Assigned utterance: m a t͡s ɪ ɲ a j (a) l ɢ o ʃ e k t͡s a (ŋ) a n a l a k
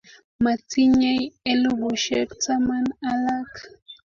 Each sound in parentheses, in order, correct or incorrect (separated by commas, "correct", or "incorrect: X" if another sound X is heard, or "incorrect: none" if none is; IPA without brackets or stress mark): incorrect: e, incorrect: m